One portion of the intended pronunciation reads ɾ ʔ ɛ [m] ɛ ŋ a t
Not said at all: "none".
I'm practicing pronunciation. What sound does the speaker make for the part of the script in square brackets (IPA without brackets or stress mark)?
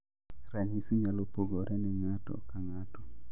n